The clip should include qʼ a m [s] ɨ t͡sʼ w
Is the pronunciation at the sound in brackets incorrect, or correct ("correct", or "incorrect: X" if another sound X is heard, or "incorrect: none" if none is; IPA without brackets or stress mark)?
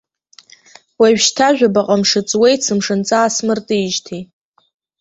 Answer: incorrect: ʂ